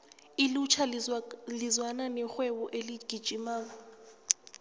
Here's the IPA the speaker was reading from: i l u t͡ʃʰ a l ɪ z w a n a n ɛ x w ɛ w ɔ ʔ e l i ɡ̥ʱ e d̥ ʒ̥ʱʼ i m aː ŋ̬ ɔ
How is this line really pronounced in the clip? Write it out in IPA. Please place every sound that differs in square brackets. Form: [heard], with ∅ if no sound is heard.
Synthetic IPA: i l u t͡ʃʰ a l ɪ z w a n a n ɛ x w ɛ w ɔ ʔ e l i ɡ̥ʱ [i] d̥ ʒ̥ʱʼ i m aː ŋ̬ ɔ